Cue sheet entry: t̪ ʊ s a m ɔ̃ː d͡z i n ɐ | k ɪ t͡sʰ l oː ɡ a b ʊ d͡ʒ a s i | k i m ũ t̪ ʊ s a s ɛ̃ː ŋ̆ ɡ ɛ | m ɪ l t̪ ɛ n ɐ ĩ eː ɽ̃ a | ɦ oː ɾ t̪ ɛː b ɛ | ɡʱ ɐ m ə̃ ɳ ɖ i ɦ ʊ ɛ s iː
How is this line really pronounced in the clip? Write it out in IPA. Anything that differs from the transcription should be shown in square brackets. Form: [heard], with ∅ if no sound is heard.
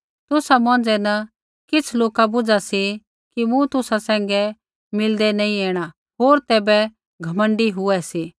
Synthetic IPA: t̪ ʊ s a m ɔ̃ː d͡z [ɛ] n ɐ | k ɪ t͡sʰ l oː [k] a b ʊ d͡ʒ a s i | k i m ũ t̪ ʊ s a s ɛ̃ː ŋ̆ ɡ ɛ | m ɪ l [d̪] ɛ n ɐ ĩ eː ɽ̃ a | ɦ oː ɾ t̪ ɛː b ɛ | ɡʱ ɐ m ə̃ ɳ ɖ i ɦ ʊ ɛ s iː